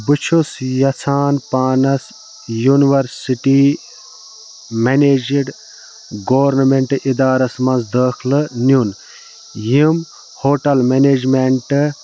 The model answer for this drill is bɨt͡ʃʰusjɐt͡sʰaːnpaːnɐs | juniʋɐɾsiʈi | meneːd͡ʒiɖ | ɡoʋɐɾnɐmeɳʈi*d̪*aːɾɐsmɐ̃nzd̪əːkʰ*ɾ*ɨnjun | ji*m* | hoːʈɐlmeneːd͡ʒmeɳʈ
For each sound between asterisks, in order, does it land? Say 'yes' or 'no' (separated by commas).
yes, no, yes